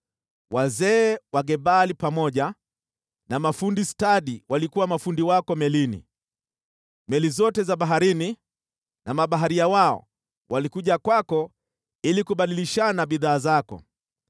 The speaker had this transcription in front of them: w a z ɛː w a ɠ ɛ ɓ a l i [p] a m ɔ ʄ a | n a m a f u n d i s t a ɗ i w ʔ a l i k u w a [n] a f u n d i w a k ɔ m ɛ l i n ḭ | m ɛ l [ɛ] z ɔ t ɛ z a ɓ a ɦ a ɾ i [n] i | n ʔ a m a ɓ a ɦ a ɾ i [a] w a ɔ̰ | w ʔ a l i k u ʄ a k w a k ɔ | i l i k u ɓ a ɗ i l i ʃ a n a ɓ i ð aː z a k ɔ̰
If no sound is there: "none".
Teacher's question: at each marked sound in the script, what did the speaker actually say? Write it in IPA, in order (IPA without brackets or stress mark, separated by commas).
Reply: p, m, i, n, a